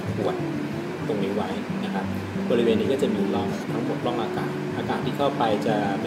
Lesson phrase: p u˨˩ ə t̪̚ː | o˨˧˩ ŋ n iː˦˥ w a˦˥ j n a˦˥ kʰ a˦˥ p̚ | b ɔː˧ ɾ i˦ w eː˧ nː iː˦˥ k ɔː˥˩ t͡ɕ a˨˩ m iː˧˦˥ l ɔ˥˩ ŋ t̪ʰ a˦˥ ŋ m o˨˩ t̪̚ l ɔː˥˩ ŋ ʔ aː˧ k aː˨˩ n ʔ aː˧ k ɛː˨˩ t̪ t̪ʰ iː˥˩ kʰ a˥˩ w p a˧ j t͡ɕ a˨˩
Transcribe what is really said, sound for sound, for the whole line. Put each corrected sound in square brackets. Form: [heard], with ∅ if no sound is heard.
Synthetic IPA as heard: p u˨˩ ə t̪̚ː | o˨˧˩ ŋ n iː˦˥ w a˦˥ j n a˦˥ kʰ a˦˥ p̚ | b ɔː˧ ɾ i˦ w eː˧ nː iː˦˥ k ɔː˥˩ t͡ɕ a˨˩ m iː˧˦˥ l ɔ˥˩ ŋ t̪ʰ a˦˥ ŋ m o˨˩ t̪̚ l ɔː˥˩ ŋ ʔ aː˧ k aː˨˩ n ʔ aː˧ k [aː˨˩] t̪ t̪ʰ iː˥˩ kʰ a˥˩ w p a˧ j t͡ɕ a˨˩